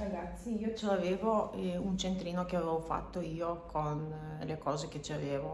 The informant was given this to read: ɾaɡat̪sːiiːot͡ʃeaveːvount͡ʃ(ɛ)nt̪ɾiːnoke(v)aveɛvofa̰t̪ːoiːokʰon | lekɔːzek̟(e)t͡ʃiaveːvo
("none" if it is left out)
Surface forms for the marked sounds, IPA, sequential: e, none, e

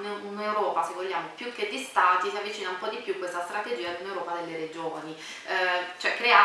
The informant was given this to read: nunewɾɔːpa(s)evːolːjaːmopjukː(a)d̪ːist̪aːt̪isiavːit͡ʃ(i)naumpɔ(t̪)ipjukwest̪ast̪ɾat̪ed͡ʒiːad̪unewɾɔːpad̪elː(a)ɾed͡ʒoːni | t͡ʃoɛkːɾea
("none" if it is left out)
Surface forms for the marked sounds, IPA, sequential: s, e, iː, d̪, e

